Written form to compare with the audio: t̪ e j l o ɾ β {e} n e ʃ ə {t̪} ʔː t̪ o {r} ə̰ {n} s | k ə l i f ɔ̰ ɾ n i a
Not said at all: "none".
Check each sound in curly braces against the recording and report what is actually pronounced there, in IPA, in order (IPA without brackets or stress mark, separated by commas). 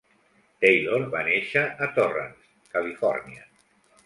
a, none, r, n